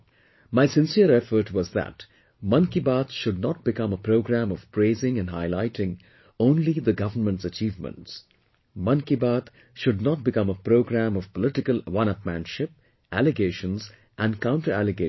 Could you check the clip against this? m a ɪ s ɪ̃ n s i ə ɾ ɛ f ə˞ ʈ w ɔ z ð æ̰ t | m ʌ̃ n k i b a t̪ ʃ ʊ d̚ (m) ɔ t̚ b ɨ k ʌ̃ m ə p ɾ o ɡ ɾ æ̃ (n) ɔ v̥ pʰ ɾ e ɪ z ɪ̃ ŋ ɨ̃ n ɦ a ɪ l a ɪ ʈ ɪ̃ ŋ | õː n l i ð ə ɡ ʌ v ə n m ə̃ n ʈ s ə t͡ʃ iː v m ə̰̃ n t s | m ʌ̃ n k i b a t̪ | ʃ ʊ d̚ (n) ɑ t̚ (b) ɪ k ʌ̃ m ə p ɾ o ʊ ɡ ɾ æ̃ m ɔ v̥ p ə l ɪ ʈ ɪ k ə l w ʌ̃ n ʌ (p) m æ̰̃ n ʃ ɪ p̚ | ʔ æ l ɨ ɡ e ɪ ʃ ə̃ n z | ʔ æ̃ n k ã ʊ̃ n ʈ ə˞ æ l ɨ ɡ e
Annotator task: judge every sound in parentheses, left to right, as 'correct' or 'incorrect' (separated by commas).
incorrect, incorrect, correct, correct, correct